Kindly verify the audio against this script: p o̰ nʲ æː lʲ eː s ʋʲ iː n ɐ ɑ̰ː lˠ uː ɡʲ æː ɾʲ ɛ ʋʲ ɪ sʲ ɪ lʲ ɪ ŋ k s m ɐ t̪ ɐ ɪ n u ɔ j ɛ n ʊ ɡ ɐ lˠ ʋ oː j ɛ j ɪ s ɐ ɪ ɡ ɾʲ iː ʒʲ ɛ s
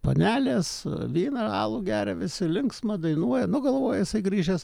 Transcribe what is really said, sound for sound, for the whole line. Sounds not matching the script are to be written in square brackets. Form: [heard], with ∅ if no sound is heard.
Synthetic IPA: p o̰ nʲ æː lʲ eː s ʋʲ iː n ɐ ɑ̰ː lˠ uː ɡʲ æː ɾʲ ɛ ʋʲ ɪ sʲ ɪ lʲ ɪ ŋ k s m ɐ [d̪] ɐ ɪ n u ɔ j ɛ n ʊ ɡ ɐ lˠ ʋ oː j ɛ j ɪ s ɐ ɪ ɡ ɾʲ iː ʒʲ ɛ s